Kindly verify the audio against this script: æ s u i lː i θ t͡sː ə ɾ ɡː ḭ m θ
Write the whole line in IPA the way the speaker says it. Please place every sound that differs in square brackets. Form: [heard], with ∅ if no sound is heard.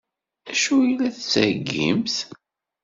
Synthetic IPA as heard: æ [ʃ] u i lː [æ] θ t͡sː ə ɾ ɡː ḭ m θ